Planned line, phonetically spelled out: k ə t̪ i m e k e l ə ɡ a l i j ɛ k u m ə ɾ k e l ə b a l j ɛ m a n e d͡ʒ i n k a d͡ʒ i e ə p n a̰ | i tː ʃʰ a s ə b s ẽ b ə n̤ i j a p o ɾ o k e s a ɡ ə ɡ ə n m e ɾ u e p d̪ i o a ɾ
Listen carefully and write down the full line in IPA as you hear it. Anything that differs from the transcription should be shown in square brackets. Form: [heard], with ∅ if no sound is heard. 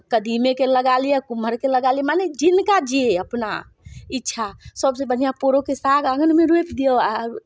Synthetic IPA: k ə [d̪] i m e k e l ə ɡ a l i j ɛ k u m ə ɾ k e l ə [ɡ] a l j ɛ m a n e d͡ʒ i n k a d͡ʒ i e ə p n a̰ | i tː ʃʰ a s ə b s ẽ b ə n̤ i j a p o ɾ o k e s a ɡ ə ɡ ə n m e ɾ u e p d̪ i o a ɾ

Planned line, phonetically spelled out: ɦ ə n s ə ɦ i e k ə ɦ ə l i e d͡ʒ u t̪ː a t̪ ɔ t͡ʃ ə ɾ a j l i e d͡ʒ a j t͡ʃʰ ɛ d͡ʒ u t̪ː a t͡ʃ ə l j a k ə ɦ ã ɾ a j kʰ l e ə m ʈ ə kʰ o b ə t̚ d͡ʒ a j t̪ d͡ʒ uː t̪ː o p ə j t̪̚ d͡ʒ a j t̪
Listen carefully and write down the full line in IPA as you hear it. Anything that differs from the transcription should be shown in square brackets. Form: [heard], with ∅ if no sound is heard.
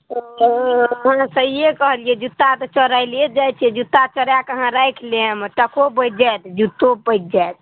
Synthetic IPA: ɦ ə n s ə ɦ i e k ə ɦ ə l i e d͡ʒ u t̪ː a t̪ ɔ t͡ʃ ə ɾ a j l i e d͡ʒ a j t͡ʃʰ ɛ d͡ʒ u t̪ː a t͡ʃ ə [ɾ] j a k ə ɦ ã ɾ a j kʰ l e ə m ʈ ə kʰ o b ə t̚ d͡ʒ a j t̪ d͡ʒ [u] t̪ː o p ə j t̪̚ d͡ʒ a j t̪

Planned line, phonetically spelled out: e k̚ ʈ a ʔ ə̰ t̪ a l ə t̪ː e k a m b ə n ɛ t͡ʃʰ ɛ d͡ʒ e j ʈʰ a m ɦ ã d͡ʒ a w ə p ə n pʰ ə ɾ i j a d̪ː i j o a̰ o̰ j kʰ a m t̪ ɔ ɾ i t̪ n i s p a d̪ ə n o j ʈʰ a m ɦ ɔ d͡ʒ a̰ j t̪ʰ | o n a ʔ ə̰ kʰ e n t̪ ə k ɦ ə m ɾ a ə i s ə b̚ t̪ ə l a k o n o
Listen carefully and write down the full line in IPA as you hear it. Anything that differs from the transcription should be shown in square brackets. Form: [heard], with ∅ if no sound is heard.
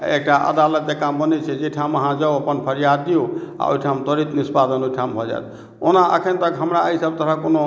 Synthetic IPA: e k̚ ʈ a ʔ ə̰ [d̪] a l ə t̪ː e k a m b ə n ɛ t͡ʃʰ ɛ d͡ʒ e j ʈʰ a m ɦ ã d͡ʒ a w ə p ə n pʰ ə ɾ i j a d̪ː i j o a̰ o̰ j [ʈʰ] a m t̪ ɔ ɾ i t̪ n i s p a d̪ ə n o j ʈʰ a m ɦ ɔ d͡ʒ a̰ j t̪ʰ | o n a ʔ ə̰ kʰ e n t̪ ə k ɦ ə m ɾ a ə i s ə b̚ t̪ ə [ɾ] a k o n o

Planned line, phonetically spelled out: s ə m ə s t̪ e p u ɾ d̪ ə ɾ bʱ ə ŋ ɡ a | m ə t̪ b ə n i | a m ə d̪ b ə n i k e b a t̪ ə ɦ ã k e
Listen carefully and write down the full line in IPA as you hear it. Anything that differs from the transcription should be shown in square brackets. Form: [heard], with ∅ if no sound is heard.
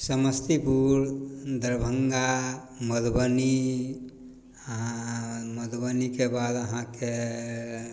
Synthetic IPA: s ə m ə s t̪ [i] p u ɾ d̪ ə ɾ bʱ ə ŋ ɡ a | m ə [d̪] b ə n i | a m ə d̪ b ə n i k e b a [d̪] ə ɦ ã k e

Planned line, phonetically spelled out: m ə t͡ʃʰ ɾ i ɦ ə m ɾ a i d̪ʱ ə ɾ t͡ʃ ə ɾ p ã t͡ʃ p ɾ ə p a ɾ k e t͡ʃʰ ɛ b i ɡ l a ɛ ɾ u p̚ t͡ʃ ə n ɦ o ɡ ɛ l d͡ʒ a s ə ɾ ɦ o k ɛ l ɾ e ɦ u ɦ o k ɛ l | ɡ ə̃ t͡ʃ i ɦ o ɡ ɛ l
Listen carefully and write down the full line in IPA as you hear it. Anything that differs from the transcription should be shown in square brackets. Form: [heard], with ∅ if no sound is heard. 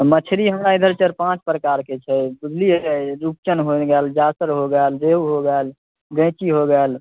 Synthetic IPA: m ə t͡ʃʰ ɾ i ɦ ə m ɾ a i d̪ʱ ə ɾ t͡ʃ ə ɾ p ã t͡ʃ p ɾ ə [k] a ɾ k e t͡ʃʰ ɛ b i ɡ l [i] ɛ ɾ u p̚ t͡ʃ ə n ɦ o ɡ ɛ l d͡ʒ a s ə ɾ ɦ o [ɡ] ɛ l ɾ e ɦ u ɦ o [ɡ] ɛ l | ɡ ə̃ t͡ʃ i ɦ o ɡ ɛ l

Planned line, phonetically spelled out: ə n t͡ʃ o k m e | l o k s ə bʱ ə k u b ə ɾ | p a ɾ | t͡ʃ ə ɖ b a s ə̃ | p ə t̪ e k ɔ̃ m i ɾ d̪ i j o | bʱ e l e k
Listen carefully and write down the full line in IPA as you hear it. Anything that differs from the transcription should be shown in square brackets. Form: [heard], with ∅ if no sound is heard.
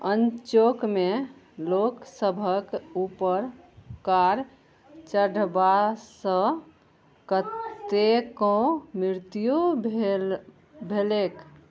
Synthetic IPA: ə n t͡ʃ o k m e | l o k s ə bʱ ə k u [p] ə ɾ | [k] a ɾ | t͡ʃ ə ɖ b a s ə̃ | [k] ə t̪ e k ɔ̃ m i ɾ [t̪] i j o | bʱ e l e k

